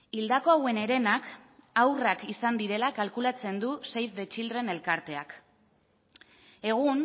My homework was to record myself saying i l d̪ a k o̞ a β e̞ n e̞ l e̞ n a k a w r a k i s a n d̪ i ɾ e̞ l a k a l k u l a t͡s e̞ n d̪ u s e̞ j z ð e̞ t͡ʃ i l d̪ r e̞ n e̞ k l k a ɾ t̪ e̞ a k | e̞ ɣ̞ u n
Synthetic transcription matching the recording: i l d̪ a k o̞ a w e̞ n e̞ ɾ e̞ n a k a w r a k i s a n d̪ i ɾ e̞ l a k a l k u l a t͡s e̞ n d̪ u s e̞ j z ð e̞ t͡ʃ i l d̪ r e̞ n e̞ l k a ɾ t̪ e̞ a k | e̞ ɣ̞ u n